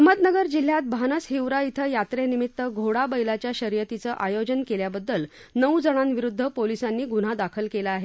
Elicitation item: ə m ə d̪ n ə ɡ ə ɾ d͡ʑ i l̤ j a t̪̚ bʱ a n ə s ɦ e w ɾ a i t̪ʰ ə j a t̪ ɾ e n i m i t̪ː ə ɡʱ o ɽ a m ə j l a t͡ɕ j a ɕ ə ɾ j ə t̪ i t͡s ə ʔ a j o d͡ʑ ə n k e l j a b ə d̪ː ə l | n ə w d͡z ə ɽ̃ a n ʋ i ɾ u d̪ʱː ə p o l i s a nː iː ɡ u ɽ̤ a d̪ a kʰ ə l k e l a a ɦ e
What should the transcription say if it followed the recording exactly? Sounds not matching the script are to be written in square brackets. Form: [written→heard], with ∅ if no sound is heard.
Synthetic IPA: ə m ə d̪ n ə ɡ ə ɾ d͡ʑ i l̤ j a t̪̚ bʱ a n ə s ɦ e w ɾ a i t̪ʰ ə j a t̪ ɾ e n i m i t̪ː ə ɡʱ o ɽ a [m→b] ə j l a t͡ɕ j a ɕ ə ɾ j ə t̪ i t͡s ə ʔ a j o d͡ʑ ə n k e l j a b ə d̪ː ə l | n ə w d͡z ə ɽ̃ a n ʋ i ɾ u d̪ʱː ə p o l i s a nː iː ɡ u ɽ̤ a d̪ a kʰ ə l k e l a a ɦ e

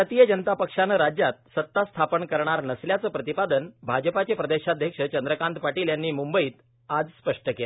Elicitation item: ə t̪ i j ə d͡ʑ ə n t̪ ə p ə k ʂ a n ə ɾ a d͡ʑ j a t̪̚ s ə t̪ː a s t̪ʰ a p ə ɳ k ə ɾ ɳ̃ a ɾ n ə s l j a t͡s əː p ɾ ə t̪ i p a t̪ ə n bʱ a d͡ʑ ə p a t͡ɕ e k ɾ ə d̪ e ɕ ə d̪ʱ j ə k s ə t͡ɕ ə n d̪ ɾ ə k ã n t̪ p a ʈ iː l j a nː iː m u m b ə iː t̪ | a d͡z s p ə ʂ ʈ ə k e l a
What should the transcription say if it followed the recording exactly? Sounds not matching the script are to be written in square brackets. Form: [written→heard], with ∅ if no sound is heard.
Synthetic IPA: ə t̪ i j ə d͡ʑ ə n t̪ [ə→a] p ə k ʂ a n ə ɾ a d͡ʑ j a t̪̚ s ə t̪ː a s t̪ʰ a p ə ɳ k ə ɾ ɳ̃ a ɾ n ə s l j a t͡s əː p ɾ ə t̪ i p a [t̪→d̪] ə n bʱ a d͡ʑ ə p a t͡ɕ e [k→p] ɾ ə d̪ e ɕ [ə→a] d̪ʱ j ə k [s→ʂ] ə t͡ɕ ə n d̪ ɾ ə k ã n t̪ p a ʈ iː l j a nː iː m u m b ə iː t̪ | a d͡z s p ə ʂ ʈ ə k e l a

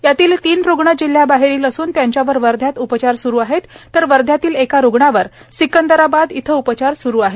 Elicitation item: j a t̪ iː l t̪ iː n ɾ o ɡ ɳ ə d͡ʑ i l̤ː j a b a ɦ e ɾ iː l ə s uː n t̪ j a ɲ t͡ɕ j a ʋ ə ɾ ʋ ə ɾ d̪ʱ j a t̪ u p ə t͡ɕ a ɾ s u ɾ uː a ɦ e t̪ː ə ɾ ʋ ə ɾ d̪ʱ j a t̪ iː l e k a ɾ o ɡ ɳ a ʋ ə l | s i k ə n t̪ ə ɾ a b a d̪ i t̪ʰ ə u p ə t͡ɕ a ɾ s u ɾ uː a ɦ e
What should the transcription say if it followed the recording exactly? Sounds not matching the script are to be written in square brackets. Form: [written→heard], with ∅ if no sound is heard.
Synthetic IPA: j a t̪ iː l t̪ iː n ɾ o ɡ ɳ ə d͡ʑ i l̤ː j a b a ɦ e ɾ iː l ə s uː n t̪ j a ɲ t͡ɕ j a ʋ ə ɾ ʋ ə ɾ d̪ʱ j a t̪ u p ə t͡ɕ a ɾ s u ɾ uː a ɦ e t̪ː ə ɾ ʋ ə ɾ d̪ʱ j a t̪ iː l e k a ɾ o ɡ ɳ a ʋ ə [l→ɾ] | s i k ə n [t̪→d̪] ə ɾ a b a d̪ i t̪ʰ ə u p ə t͡ɕ a ɾ s u ɾ uː a ɦ e

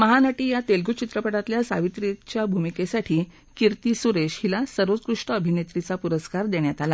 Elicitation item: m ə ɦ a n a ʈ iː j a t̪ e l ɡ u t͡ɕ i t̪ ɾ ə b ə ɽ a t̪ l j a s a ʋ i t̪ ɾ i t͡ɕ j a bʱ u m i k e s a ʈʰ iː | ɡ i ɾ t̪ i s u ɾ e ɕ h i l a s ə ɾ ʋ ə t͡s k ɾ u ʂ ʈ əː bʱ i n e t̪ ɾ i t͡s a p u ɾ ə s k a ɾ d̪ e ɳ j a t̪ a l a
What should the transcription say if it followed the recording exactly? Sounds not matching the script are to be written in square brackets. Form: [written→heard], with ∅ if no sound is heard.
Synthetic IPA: m ə ɦ a n a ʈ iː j a t̪ e l ɡ u t͡ɕ i t̪ ɾ ə [b→p] ə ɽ a t̪ l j a s a ʋ i t̪ ɾ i t͡ɕ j a bʱ u m i k e s a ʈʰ iː | [ɡ→k] i ɾ t̪ i s u ɾ e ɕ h i l a s ə ɾ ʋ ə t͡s k ɾ u ʂ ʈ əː bʱ i n e t̪ ɾ i t͡s a p u ɾ ə s k a ɾ d̪ e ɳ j a t̪ a l a

